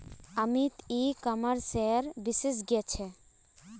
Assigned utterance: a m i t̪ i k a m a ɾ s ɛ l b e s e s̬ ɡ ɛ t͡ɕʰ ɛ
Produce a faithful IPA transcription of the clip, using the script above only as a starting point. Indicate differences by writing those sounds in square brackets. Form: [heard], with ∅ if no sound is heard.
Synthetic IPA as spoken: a m i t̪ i k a m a ɾ s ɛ [ɾ] b [i] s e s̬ ɡ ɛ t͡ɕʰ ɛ